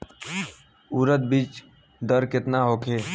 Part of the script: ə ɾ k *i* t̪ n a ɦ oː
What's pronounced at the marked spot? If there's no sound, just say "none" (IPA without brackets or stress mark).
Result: ɪ